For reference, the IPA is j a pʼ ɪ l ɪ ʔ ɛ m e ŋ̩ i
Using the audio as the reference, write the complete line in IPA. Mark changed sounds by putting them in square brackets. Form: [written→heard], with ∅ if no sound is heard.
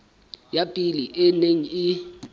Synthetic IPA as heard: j a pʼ [ɪ→i] l [ɪ→i] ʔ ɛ [m→n] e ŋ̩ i

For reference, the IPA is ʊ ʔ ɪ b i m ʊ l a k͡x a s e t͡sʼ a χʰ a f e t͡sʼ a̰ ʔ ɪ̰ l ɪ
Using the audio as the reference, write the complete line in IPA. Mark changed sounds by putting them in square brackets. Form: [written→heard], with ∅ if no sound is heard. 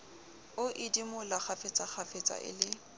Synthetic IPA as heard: ʊ ʔ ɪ [b→d] i m ʊ l a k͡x a [s→f] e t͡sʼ a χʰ a f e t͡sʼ a̰ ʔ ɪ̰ l ɪ

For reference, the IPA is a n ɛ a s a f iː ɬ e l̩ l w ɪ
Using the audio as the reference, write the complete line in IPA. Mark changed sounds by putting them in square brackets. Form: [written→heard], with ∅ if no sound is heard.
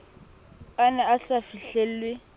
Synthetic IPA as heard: a n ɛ a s a f [iː→i] ɬ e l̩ l w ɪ

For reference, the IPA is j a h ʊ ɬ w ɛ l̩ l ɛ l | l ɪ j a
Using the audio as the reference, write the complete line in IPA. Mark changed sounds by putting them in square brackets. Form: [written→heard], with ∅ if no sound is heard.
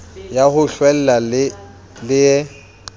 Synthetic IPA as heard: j a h ʊ ɬ w ɛ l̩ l [ɛ→a] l | l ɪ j [a→ɛ]

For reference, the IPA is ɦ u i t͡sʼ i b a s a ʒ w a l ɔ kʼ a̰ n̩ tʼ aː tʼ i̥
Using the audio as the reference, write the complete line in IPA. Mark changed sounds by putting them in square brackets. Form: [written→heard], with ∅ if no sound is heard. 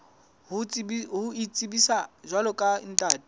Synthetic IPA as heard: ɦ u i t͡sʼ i b [a→i] s a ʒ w a l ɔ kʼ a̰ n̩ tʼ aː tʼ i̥

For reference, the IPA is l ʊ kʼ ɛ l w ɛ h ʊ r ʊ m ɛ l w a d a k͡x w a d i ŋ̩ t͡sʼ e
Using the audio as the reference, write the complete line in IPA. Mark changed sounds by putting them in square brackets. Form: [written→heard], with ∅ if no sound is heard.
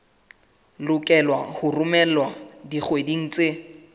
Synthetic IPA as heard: l ʊ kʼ ɛ l w [ɛ→a] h ʊ r ʊ m ɛ l w a d [a→i] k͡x w [a→e] d i ŋ̩ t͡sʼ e

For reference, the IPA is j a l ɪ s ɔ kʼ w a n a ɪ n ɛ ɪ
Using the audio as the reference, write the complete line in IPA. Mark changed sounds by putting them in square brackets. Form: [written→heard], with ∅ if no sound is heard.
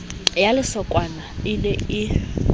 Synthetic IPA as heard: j a l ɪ s ɔ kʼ w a n a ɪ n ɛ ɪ

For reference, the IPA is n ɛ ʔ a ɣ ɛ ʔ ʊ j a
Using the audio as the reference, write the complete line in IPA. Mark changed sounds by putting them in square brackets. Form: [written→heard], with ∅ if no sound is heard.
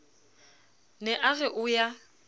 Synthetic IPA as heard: n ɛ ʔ a ɣ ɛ ʔ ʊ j a

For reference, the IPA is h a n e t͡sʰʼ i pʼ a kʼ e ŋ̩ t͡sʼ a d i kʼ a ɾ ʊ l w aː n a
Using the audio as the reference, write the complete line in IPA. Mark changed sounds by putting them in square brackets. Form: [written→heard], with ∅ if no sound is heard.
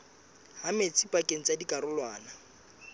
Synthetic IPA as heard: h a [n→m] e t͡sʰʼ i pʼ a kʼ e ŋ̩ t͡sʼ a d i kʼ a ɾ ʊ l w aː n a

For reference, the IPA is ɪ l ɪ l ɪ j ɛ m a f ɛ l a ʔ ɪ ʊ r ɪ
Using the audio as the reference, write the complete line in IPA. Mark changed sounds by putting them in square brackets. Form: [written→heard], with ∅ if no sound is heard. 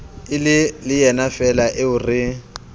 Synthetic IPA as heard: ɪ l ɪ l ɪ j ɛ [m→n] a f ɛ l a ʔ ɪ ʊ r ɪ

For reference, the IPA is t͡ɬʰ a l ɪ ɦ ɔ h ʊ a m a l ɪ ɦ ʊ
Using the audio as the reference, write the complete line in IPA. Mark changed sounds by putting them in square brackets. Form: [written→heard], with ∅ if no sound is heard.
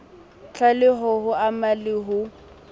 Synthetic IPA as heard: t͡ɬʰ a l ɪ ɦ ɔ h ʊ a m a l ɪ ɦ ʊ

